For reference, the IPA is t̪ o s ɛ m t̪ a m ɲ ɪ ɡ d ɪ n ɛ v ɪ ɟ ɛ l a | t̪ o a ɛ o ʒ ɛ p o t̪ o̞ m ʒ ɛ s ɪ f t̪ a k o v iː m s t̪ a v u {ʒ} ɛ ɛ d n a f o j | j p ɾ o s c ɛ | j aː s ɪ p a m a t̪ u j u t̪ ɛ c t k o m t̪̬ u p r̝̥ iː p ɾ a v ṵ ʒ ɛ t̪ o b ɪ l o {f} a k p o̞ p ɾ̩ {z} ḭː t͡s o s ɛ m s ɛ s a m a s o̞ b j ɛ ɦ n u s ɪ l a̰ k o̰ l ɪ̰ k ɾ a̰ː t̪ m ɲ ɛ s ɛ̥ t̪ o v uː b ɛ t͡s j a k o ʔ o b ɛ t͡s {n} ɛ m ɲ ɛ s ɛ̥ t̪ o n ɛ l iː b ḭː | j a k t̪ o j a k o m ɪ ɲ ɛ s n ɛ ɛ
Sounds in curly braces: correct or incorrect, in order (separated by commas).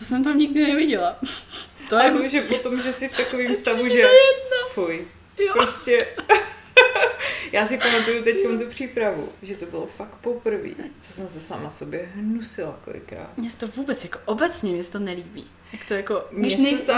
correct, correct, incorrect, incorrect